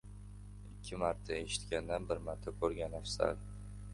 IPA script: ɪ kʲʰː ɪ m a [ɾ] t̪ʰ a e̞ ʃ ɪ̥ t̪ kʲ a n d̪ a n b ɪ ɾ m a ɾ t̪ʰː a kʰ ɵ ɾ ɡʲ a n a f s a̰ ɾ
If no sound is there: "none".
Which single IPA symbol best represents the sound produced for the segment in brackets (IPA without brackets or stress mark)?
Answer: ɾ